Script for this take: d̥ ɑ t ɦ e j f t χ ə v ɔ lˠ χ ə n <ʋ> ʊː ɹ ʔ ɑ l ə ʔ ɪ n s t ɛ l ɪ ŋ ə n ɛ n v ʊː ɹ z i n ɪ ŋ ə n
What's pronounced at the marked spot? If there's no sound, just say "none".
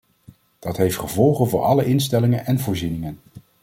v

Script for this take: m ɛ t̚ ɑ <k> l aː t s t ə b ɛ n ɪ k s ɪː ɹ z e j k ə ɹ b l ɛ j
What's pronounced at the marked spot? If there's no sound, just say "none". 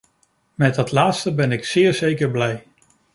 t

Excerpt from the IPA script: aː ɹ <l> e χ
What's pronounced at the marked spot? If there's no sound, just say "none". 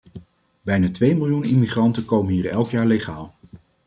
l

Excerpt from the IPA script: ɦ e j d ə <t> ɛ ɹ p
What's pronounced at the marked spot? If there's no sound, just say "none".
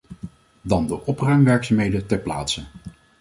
t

